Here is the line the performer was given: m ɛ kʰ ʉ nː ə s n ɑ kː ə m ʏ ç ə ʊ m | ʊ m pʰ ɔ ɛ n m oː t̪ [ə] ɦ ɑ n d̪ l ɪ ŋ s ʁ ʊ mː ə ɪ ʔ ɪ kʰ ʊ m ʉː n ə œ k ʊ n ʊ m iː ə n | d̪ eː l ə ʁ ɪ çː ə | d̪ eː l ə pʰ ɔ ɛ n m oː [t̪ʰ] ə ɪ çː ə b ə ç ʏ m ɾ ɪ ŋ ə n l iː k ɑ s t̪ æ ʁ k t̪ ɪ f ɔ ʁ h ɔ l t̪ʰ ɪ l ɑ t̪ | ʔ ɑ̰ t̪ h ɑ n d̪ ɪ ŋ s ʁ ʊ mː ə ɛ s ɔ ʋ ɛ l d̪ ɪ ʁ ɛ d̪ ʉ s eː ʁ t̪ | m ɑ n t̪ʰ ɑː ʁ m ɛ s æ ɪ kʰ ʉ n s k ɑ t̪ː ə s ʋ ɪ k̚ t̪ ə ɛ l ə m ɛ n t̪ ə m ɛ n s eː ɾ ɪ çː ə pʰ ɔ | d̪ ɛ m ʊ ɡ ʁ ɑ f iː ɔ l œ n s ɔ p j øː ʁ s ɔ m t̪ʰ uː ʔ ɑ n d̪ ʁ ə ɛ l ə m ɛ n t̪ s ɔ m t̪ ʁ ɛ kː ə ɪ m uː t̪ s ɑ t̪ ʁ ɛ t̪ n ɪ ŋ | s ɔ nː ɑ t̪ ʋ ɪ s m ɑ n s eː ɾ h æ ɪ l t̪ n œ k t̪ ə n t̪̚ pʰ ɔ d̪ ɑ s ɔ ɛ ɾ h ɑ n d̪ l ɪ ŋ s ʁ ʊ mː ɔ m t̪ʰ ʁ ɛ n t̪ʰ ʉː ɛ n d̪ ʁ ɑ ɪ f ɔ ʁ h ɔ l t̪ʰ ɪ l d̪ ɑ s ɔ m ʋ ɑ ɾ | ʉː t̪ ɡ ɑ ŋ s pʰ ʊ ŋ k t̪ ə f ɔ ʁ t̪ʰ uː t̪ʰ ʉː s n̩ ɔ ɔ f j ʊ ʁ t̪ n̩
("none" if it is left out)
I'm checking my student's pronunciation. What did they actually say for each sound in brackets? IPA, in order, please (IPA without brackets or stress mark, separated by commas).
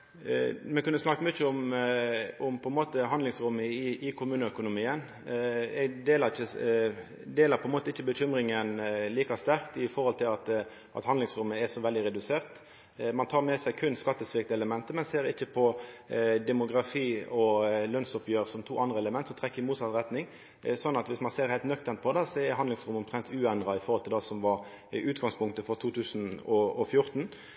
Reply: ə, t̪